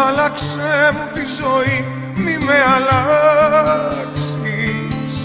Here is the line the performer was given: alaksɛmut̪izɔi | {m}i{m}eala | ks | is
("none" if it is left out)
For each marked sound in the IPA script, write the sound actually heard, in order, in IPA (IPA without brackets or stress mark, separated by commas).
m, m